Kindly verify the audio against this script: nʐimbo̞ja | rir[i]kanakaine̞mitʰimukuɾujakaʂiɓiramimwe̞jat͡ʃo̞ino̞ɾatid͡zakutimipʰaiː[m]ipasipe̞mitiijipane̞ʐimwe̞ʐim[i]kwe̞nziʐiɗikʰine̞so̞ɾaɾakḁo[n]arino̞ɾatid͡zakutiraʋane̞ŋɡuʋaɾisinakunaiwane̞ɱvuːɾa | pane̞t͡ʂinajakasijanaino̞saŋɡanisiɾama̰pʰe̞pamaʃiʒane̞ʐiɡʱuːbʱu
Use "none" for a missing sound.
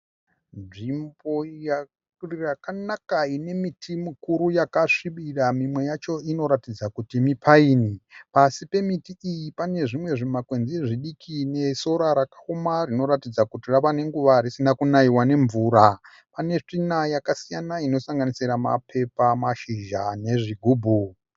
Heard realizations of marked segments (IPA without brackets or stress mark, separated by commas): a, n, a, m